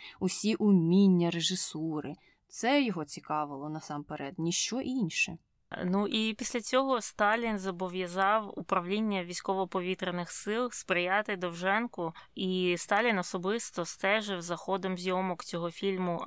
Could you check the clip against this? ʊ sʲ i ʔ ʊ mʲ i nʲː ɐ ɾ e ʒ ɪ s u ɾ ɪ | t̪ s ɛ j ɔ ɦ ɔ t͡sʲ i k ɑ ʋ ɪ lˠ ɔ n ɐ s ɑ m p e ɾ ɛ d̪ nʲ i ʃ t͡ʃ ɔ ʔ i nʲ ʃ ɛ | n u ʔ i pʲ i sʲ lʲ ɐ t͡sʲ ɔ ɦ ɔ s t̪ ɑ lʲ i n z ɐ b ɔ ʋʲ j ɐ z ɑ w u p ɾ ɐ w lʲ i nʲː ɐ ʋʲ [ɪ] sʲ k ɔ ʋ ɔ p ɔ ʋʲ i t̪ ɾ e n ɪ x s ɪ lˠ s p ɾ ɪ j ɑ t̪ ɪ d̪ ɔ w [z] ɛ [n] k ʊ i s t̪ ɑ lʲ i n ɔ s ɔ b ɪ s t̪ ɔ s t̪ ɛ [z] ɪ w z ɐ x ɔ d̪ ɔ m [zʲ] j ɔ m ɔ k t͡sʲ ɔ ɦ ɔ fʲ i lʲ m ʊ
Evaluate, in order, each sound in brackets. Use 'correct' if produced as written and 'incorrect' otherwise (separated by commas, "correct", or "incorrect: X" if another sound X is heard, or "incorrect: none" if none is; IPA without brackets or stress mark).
incorrect: i, incorrect: ʒ, correct, incorrect: ʒ, correct